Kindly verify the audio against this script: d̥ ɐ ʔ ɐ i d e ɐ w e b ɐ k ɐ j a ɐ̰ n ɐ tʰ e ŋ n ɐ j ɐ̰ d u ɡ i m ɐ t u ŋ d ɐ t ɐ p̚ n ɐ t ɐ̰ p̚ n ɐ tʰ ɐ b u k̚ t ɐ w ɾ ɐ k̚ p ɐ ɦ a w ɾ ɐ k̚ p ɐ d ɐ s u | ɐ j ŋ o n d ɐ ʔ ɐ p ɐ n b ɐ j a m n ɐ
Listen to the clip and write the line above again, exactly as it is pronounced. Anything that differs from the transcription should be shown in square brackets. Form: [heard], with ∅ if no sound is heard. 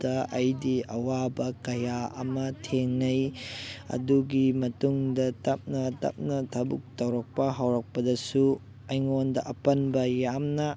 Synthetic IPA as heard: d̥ ɐ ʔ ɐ [j] d [i] ɐ w [a] b ɐ k ɐ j a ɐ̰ [m] ɐ tʰ e ŋ n ɐ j ɐ̰ d u ɡ i m ɐ t u ŋ d ɐ t ɐ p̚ n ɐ t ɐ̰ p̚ n ɐ tʰ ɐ b u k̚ t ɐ w ɾ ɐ k̚ p ɐ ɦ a w ɾ ɐ k̚ p ɐ d ɐ s u | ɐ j ŋ o n d ɐ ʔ ɐ p ɐ n b ɐ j a m n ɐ